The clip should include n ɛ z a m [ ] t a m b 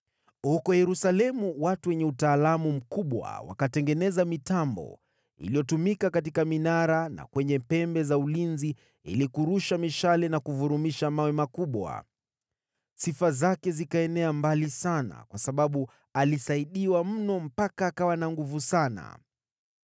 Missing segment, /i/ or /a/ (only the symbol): i